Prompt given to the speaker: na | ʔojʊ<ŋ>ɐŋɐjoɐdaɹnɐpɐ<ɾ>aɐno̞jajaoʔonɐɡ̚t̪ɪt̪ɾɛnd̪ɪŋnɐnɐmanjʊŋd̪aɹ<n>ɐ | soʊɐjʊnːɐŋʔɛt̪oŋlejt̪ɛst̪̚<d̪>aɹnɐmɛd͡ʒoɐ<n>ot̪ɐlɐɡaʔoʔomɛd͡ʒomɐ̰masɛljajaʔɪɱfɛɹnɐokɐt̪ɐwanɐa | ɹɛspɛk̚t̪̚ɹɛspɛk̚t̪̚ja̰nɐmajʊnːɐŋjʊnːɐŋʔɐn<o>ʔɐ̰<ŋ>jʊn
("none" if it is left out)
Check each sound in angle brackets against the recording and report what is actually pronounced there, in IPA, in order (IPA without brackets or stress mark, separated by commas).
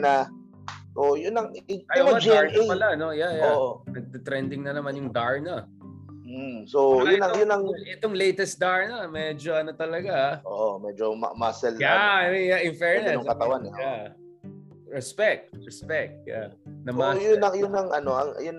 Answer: n, l, n, d̪, n, o, ŋ